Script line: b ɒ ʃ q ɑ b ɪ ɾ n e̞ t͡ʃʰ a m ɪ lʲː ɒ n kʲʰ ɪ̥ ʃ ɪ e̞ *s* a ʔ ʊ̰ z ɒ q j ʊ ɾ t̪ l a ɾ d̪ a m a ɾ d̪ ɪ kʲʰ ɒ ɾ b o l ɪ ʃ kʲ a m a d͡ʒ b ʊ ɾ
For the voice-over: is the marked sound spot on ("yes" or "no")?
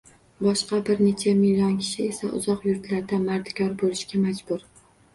yes